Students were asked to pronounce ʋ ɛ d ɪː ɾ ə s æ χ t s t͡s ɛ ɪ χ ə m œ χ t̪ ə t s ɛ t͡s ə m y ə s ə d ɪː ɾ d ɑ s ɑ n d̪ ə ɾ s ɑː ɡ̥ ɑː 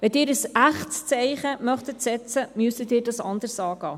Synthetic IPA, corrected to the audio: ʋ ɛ d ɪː ɾ ə s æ χ t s t͡s ɛ ɪ χ ə m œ χ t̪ ə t s ɛ t͡s ə m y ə s ə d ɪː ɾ d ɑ s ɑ n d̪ ə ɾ s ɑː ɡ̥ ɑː